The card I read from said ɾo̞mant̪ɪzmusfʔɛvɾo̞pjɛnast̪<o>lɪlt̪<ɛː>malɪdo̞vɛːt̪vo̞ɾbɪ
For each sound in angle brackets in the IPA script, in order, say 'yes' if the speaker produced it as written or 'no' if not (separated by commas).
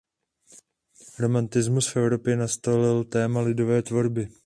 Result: yes, yes